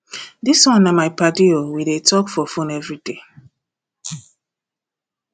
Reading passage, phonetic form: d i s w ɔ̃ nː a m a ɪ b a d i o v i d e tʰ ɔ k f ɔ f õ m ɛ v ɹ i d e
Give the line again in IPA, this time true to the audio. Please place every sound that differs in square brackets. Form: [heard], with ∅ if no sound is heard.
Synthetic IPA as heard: d i s w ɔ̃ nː a m a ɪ [p] a d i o [w] i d e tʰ ɔ k f ɔ f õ [n] ɛ v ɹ i d e